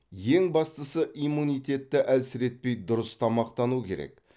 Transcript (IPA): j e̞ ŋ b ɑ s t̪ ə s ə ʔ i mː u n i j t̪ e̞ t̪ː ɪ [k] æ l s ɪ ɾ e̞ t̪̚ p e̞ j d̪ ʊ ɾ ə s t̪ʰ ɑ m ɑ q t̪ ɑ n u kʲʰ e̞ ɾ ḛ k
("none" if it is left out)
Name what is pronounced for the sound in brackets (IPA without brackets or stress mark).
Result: ʔ